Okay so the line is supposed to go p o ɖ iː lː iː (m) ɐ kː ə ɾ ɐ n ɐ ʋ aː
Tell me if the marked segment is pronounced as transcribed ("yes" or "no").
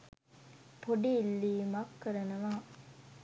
yes